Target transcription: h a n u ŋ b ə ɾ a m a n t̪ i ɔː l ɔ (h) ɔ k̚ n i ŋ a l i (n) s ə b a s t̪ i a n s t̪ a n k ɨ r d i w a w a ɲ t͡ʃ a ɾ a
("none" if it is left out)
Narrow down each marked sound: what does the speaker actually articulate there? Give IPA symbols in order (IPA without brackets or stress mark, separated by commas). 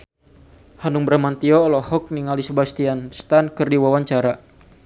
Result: h, none